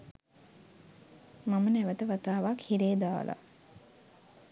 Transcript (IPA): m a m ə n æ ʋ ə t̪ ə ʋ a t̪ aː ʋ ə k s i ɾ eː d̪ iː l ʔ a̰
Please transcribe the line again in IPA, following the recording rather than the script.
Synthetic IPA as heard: m a m ə n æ ʋ ə t̪ ə ʋ a t̪ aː ʋ a k h i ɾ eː d̪ aː l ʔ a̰